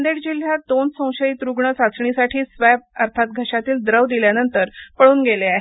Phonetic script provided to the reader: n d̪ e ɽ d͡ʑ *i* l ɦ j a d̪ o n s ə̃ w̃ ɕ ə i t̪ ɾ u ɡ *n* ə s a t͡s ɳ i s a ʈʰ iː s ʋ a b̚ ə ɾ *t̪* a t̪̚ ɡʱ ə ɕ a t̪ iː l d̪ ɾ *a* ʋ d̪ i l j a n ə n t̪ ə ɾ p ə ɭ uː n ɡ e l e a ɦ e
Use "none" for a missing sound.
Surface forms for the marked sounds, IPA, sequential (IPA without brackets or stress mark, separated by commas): i, ɳ, t̪ʰ, ə